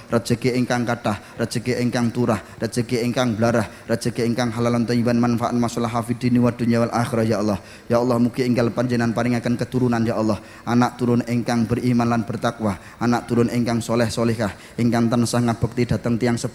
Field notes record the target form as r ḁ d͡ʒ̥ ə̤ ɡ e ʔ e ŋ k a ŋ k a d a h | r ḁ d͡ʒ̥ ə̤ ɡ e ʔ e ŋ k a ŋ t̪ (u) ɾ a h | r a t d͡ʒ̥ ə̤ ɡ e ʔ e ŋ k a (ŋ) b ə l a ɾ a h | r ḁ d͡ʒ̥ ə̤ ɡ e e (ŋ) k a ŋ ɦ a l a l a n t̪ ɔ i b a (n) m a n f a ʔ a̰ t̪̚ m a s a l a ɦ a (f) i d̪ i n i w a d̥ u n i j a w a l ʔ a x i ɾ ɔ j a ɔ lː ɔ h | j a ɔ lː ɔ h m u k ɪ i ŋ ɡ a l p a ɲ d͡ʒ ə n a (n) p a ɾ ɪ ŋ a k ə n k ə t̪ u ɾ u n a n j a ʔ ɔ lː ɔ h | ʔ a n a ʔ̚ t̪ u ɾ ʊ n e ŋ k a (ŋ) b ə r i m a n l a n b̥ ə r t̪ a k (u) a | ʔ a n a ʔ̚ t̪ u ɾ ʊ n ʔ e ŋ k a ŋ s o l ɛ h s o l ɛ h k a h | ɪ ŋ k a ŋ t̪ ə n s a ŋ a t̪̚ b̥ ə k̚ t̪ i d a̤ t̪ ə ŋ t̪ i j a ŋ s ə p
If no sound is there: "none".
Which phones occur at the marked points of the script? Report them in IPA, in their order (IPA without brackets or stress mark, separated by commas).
u, ŋ, ŋ, n, f, n, ŋ, w